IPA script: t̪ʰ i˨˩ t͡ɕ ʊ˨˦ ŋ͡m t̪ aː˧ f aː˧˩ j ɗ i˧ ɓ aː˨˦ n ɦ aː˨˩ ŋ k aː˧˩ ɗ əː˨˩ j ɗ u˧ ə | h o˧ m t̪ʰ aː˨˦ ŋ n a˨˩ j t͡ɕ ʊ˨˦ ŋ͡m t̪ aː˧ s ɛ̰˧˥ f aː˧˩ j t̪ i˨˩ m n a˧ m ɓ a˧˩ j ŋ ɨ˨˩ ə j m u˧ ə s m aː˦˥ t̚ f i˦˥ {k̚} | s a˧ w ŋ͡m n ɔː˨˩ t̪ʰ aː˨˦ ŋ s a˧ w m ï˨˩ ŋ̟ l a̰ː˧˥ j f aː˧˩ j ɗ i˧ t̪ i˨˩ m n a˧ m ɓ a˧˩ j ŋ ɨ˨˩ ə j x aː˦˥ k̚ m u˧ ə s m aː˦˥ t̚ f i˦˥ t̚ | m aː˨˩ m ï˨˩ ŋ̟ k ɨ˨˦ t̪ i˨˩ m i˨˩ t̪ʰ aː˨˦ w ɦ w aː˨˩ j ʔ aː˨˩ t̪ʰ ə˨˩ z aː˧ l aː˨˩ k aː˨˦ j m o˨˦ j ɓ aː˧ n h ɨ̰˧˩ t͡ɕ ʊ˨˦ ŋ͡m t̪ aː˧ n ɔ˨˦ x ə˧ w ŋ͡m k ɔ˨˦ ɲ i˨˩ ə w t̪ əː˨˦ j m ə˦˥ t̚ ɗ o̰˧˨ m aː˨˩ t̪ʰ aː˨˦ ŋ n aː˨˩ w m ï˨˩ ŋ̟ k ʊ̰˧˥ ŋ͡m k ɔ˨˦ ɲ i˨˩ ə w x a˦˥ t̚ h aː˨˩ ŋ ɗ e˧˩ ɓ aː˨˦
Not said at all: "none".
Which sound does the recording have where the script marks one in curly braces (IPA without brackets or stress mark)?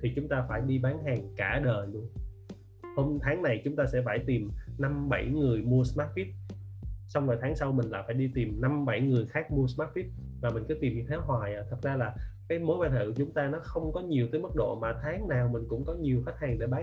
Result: t̚